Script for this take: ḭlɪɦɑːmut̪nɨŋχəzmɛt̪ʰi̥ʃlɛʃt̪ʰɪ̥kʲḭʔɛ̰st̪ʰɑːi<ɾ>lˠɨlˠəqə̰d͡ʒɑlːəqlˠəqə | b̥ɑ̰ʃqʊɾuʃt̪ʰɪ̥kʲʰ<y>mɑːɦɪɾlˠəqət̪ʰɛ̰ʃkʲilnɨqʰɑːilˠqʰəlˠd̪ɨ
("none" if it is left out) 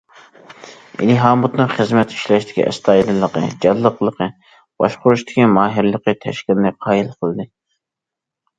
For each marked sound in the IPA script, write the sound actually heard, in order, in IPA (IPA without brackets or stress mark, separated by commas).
none, i